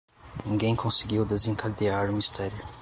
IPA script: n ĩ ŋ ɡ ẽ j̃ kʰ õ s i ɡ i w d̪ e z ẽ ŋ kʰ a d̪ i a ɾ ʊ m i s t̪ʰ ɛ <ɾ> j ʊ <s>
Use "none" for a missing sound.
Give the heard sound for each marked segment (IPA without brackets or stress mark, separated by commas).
ɾ, none